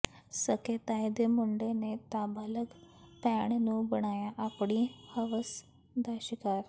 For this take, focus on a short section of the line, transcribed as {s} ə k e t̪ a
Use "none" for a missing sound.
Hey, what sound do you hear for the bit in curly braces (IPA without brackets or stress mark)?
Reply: s